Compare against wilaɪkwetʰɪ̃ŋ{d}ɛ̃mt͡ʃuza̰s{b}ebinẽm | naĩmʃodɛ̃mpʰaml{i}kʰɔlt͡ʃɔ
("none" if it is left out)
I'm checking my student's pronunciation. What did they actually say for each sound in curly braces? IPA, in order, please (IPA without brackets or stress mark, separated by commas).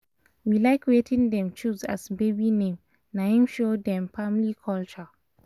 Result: d, b, i